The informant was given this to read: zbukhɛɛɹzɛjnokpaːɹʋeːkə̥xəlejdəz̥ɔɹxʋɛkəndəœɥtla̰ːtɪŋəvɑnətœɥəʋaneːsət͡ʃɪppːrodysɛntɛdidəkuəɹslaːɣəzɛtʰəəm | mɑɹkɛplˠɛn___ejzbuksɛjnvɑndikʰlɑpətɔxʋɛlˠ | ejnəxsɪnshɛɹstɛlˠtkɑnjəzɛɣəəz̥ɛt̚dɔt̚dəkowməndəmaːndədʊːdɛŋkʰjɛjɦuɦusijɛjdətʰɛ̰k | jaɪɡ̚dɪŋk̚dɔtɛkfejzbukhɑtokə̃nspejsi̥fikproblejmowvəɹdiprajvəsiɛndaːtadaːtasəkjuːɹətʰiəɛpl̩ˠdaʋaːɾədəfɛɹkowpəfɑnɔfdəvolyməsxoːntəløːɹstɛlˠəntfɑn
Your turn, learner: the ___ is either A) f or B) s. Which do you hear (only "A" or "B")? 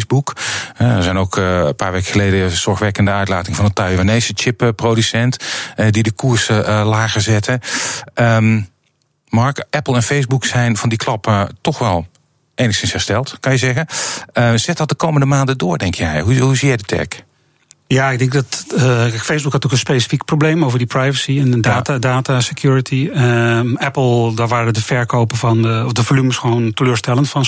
A